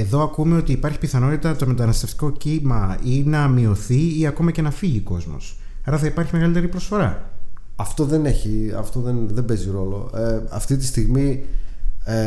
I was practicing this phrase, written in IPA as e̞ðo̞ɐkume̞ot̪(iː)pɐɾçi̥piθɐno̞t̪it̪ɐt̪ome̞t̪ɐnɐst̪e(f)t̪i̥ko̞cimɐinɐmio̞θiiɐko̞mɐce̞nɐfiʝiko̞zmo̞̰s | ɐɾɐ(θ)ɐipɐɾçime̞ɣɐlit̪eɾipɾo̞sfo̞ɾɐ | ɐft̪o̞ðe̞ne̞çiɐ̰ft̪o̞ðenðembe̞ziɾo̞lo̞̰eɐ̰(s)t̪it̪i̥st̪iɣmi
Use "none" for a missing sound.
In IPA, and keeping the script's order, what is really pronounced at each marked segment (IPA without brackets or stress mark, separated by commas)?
iː, f, θ, f